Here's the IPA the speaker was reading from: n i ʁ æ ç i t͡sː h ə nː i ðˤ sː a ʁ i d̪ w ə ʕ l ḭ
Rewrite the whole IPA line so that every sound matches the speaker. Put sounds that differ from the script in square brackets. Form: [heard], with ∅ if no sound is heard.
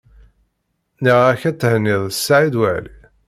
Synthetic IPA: n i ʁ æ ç [æ] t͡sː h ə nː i ðˤ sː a [ʕ] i d̪ w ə ʕ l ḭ